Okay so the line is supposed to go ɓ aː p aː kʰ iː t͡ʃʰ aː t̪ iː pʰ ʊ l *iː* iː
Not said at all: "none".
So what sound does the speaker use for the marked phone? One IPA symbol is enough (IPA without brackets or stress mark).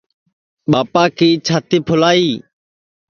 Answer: aː